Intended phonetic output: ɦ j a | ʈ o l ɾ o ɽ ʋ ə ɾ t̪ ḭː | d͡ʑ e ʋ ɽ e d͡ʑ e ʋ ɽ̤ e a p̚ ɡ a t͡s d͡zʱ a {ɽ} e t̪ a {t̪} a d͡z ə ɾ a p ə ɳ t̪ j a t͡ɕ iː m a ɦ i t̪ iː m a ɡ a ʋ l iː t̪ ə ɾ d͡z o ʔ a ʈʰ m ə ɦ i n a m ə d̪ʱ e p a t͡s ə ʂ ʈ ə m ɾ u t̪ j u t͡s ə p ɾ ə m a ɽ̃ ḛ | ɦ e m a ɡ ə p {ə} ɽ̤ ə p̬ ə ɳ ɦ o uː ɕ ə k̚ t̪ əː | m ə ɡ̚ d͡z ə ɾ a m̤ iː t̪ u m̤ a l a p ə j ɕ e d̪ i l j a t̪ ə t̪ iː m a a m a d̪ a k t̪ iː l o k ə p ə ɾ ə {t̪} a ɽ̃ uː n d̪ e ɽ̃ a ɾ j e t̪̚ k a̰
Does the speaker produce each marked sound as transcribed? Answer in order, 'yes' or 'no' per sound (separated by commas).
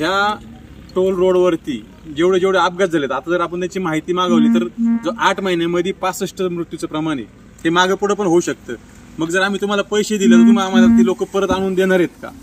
no, yes, yes, yes